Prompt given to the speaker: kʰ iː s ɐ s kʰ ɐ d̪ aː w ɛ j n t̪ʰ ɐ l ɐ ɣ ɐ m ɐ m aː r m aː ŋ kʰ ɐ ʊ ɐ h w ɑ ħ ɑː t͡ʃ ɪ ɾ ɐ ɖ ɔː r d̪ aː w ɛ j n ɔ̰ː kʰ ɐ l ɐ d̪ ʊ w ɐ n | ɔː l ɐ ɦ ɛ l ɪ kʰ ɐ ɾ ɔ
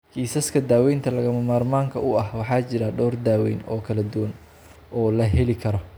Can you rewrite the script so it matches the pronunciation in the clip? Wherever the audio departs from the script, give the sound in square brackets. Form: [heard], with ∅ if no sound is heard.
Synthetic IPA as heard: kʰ iː s ɐ s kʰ ɐ d̪ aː w ɛ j n t̪ʰ ɐ l ɐ ɣ ɐ m ɐ m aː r m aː ŋ kʰ ɐ ʊ ɐ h w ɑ ħ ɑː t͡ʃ ɪ ɾ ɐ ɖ ɔː r d̪ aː w ɛ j n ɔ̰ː kʰ ɐ l ɐ d̪ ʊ w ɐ n | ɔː l ɐ ɦ ɛ l ɪ kʰ ɐ ɾ ɔ

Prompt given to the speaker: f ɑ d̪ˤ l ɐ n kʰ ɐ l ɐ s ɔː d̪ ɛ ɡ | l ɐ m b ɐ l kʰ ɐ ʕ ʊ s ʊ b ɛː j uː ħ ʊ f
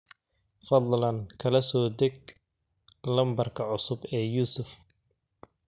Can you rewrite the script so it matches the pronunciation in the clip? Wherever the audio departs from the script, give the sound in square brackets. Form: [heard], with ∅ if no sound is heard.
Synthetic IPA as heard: f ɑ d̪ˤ l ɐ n kʰ ɐ l ɐ s ɔː d̪ ɛ ɡ | l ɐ m b ɐ [r] kʰ ɐ ʕ ʊ s ʊ b ɛː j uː [s] ʊ f

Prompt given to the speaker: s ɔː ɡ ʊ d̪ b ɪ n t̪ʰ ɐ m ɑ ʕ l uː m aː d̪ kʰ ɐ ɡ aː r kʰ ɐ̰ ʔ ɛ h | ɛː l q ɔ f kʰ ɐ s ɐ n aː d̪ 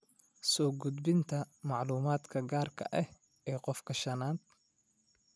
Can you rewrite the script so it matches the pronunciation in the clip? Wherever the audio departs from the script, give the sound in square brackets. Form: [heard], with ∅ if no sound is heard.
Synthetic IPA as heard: s ɔː ɡ ʊ d̪ b ɪ n t̪ʰ ɐ m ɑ ʕ l uː m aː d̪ kʰ ɐ ɡ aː r kʰ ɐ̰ ʔ ɛ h | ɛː [∅] q ɔ f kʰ ɐ [ʃ] ɐ n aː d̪

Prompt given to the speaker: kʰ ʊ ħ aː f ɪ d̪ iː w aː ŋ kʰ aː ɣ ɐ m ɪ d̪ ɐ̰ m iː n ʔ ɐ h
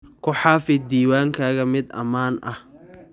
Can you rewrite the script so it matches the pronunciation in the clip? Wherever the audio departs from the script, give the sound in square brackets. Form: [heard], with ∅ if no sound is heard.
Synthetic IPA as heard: kʰ ʊ ħ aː f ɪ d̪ iː w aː ŋ kʰ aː ɣ ɐ m ɪ d̪ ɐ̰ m [aː] n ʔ ɐ h

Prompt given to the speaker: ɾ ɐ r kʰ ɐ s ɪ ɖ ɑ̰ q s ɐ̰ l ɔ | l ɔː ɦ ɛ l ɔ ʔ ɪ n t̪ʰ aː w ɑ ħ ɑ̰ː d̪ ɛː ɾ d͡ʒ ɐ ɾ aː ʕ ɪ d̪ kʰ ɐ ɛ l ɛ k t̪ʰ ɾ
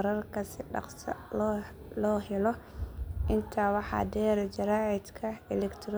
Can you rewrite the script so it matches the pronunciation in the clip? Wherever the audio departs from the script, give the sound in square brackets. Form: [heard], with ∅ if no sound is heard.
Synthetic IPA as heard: ɾ ɐ r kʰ ɐ s ɪ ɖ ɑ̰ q s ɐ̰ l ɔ | l ɔː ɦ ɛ l ɔ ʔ ɪ n t̪ʰ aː w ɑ ħ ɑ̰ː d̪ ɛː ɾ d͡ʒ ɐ ɾ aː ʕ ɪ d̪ kʰ ɐ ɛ l ɛ k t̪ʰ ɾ

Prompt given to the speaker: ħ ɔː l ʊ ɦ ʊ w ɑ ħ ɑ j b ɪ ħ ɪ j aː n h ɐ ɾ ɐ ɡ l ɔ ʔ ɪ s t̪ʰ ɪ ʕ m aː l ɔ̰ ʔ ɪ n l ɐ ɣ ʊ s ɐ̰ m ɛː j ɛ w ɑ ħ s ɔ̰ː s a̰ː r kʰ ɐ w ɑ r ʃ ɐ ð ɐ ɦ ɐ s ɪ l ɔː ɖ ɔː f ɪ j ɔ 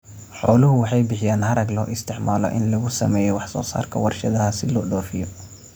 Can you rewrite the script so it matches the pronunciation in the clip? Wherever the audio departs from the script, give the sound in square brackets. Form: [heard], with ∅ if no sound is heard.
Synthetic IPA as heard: ħ ɔː l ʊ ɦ ʊ w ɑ ħ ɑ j b ɪ ħ ɪ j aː n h ɐ ɾ ɐ ɡ l [ɔː] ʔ ɪ s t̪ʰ ɪ ʕ m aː l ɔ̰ ʔ ɪ n l ɐ ɣ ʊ s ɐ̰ m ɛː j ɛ w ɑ ħ s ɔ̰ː s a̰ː r kʰ ɐ w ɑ r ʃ ɐ ð ɐ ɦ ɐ s ɪ l ɔː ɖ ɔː f ɪ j ɔ

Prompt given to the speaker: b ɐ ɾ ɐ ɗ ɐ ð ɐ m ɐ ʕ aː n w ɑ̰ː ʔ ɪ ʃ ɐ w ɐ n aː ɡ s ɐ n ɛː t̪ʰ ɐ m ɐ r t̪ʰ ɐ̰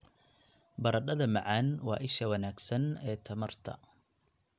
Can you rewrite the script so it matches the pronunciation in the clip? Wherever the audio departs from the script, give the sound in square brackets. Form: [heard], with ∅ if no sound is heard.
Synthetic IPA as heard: b ɐ ɾ ɐ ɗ ɐ ð ɐ m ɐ ʕ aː n w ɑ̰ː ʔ ɪ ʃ ɐ w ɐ n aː ɡ s ɐ n ɛː t̪ʰ ɐ m ɐ r t̪ʰ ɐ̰

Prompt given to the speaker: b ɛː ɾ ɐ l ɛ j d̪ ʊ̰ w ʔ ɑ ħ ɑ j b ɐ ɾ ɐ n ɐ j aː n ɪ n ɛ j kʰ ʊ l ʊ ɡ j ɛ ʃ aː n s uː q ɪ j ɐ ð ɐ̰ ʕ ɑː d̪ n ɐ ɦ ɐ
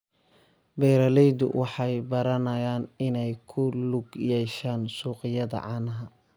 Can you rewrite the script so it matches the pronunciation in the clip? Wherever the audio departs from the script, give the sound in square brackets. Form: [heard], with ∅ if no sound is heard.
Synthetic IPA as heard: b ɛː ɾ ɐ l ɛ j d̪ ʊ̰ w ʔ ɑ ħ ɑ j b ɐ ɾ ɐ n ɐ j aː n ɪ n ɛ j kʰ ʊ l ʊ ɡ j ɛ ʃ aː n s uː q ɪ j ɐ ð ɐ̰ ʕ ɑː [∅] n ɐ ɦ ɐ

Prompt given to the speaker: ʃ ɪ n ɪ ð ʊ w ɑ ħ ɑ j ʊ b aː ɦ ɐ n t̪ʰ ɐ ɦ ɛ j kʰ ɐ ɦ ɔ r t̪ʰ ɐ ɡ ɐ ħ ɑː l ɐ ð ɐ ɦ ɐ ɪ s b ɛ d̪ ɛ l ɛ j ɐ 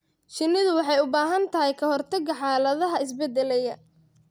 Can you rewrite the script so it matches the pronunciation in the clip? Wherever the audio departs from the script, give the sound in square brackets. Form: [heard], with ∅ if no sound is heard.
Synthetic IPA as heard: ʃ ɪ n ɪ ð ʊ w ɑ ħ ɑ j ʊ b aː ɦ ɐ n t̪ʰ ɐ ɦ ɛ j kʰ ɐ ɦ ɔ r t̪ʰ ɐ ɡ ɐ ħ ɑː l ɐ ð ɐ ɦ ɐ ɪ s b ɛ d̪ ɛ l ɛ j ɐ

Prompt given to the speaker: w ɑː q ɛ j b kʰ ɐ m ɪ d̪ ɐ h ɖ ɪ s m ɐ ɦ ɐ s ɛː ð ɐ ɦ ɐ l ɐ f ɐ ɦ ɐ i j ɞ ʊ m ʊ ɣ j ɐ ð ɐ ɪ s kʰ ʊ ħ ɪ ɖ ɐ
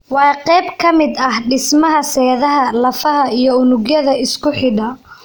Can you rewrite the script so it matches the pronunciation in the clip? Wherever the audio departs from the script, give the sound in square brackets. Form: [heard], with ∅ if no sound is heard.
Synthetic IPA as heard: w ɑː q ɛ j b kʰ ɐ m ɪ d̪ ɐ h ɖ ɪ s m ɐ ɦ ɐ s ɛː ð ɐ ɦ ɐ l ɐ f ɐ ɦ ɐ i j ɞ ʊ [n] ʊ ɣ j ɐ ð ɐ ɪ s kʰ ʊ ħ ɪ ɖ ɐ

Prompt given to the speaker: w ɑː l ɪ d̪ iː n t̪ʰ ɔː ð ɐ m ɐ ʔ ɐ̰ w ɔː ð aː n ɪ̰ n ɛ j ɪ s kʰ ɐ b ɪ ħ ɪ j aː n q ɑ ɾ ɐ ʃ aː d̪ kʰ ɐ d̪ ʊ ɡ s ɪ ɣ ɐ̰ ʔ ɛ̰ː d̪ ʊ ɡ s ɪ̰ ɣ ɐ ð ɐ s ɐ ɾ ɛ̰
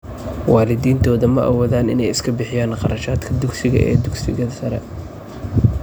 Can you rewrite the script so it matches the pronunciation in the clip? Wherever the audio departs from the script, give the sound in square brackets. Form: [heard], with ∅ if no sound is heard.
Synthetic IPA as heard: w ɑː l ɪ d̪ iː n t̪ʰ ɔː ð ɐ m ɐ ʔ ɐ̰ w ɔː ð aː n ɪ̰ n ɛ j ɪ s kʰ ɐ b ɪ ħ ɪ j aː n q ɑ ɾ ɐ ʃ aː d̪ kʰ ɐ d̪ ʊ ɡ s ɪ ɣ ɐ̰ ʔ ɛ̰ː d̪ ʊ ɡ s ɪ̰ ɣ ɐ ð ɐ s ɐ ɾ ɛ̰

